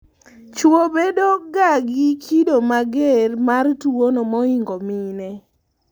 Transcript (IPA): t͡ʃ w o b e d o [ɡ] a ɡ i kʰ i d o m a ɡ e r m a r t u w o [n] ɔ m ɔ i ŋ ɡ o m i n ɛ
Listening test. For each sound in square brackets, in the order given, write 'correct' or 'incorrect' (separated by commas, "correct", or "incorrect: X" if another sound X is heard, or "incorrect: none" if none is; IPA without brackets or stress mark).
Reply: correct, correct